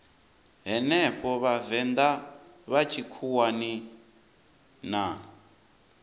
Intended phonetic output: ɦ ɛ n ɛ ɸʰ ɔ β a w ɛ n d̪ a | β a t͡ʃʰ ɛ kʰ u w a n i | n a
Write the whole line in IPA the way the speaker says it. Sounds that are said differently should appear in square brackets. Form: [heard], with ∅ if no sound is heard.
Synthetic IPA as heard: ɦ ɛ n ɛ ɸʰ ɔ β a [v] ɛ n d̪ a | β a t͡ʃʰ [i] kʰ u w a n i | n a

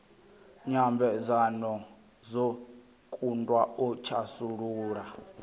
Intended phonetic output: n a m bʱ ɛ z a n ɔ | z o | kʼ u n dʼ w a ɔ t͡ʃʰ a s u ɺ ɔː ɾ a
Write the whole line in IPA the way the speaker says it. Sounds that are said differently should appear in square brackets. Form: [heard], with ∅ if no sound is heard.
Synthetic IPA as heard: [ɲ] a m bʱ ɛ z a n ɔ | z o | kʼ u n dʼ w a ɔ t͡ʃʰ a s u ɺ [uː] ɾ a

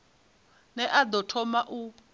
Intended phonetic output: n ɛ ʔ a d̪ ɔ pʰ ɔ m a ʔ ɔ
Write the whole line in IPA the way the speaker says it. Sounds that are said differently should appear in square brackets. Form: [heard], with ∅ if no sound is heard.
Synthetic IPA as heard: n ɛ ʔ a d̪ ɔ [tʰ] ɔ m a ʔ [u]

